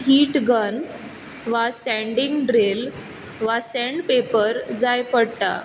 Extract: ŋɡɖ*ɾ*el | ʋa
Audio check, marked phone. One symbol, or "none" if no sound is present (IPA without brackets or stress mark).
ɾ